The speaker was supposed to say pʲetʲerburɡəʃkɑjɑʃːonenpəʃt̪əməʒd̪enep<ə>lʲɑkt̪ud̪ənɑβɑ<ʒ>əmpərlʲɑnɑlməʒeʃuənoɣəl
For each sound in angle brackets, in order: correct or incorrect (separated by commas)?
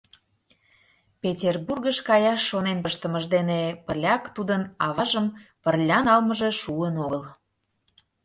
correct, correct